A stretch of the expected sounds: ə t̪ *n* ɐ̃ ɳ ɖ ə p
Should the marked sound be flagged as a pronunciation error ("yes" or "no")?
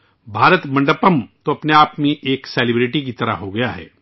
yes